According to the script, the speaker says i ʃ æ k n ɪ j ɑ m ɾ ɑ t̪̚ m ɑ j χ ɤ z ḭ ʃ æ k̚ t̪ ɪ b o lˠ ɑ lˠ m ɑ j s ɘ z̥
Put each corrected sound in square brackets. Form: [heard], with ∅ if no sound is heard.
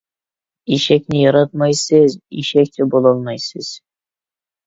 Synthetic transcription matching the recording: i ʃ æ k n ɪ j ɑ [∅] ɾ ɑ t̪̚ m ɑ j [s] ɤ z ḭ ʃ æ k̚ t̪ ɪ b o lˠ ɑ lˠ m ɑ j s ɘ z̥